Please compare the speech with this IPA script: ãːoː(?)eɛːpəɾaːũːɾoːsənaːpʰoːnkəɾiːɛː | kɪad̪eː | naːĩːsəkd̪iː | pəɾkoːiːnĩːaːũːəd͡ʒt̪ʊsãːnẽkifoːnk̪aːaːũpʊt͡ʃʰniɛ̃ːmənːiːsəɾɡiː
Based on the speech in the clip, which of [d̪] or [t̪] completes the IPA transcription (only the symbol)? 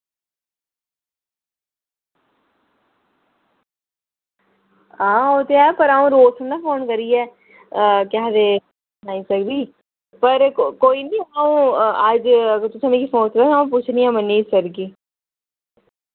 t̪